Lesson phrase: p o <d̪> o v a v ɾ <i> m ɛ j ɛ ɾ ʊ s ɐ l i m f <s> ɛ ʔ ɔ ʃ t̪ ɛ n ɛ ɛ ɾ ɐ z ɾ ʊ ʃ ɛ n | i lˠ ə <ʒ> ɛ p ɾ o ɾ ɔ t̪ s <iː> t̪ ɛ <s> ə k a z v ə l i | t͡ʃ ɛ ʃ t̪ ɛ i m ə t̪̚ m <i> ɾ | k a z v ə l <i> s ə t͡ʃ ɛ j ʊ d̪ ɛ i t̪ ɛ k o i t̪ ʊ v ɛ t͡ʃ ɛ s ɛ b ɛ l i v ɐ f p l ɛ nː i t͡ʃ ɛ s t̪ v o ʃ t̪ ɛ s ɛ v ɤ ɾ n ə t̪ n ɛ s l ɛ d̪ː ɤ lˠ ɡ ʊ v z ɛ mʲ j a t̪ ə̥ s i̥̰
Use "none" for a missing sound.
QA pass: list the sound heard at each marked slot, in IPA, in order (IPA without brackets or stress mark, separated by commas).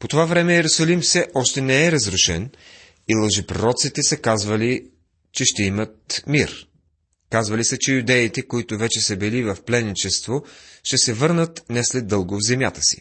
t̪, ɛ, s, ʒ, i, s, i, i